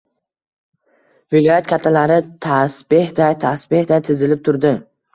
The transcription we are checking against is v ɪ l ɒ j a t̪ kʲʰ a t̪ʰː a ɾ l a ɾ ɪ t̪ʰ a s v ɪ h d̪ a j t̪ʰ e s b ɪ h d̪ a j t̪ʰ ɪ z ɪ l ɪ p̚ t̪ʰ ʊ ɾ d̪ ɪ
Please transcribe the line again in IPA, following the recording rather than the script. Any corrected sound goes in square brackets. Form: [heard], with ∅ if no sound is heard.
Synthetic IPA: v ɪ l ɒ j a t̪ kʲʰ a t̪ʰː a [∅] l a ɾ ɪ t̪ʰ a s [b] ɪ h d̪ a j t̪ʰ [a] s b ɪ h d̪ a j t̪ʰ ɪ z ɪ l ɪ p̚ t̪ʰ ʊ ɾ d̪ ɪ